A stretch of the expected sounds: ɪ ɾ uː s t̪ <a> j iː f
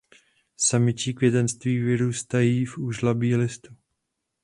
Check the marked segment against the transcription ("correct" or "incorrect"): correct